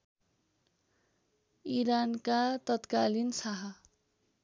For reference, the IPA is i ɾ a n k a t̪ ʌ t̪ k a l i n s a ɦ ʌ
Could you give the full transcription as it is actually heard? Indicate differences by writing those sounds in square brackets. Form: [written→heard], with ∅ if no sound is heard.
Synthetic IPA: i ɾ a n k a t̪ ʌ t̪ k a l i n s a ɦ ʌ